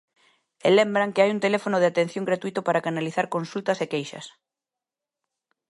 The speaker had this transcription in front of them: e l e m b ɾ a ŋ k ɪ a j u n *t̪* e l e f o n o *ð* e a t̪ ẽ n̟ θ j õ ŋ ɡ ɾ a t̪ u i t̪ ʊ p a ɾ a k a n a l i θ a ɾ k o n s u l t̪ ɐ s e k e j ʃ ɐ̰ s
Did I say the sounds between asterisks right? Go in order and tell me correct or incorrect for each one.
correct, correct

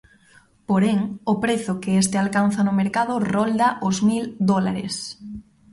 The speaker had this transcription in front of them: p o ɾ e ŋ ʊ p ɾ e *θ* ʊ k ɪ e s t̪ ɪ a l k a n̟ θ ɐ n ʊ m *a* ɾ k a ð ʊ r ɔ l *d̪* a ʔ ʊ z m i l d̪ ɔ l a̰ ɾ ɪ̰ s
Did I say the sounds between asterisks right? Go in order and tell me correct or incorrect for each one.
correct, incorrect: e, correct

